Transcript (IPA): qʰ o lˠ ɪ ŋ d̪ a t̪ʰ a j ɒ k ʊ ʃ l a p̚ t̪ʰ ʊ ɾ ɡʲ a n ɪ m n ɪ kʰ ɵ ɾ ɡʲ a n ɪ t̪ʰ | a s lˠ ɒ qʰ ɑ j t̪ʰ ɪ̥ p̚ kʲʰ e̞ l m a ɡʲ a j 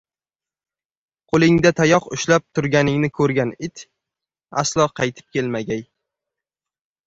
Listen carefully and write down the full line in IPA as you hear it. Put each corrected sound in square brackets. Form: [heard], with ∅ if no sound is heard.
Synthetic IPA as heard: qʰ o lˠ ɪ ŋ d̪ a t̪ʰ a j ɒ [q] ʊ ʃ l a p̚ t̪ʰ ʊ ɾ ɡʲ a n ɪ [ŋ] n ɪ kʰ ɵ ɾ ɡʲ a n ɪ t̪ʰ | a s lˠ ɒ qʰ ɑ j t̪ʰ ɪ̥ p̚ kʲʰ e̞ l m a ɡʲ a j